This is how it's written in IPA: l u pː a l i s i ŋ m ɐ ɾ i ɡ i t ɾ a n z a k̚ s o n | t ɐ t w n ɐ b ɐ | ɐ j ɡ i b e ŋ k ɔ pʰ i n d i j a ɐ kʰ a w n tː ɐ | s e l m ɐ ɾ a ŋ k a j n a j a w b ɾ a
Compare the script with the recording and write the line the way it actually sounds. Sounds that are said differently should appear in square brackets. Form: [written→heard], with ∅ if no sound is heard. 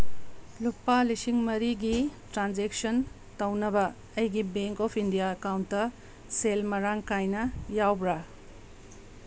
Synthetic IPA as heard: l u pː a l i s i ŋ m ɐ ɾ i ɡ i t ɾ a n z [a→e] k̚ s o n | t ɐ [t→∅] w n ɐ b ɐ | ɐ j ɡ i b e ŋ k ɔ pʰ i n d i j a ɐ [kʰ→k] a w n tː ɐ | s e l m ɐ ɾ a ŋ k a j n [a→ɐ] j a w b ɾ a